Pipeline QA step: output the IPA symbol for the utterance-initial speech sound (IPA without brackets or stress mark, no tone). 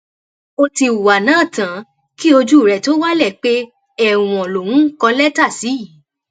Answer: o